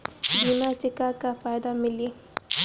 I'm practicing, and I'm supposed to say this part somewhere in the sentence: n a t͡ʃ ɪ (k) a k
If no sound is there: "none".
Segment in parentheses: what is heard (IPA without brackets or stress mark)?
k